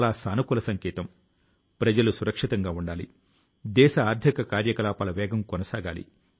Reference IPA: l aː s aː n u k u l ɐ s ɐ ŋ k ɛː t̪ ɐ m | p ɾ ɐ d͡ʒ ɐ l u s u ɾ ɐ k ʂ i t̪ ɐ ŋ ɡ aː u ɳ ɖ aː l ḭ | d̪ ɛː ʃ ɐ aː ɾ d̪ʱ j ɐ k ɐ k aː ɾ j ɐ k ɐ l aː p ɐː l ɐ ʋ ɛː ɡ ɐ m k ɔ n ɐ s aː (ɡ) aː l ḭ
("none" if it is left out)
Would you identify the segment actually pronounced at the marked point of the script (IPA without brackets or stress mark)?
ɡ